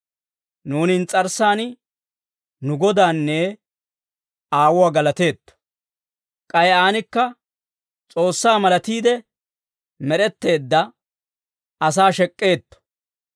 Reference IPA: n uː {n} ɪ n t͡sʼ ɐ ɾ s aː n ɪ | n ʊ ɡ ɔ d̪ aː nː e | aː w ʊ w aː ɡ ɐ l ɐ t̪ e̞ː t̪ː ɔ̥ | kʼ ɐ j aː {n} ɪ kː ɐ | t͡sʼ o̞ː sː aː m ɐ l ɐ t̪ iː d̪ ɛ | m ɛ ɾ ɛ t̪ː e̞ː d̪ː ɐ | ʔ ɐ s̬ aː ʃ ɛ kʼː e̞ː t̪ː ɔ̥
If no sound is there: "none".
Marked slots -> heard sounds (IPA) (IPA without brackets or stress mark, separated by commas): n, n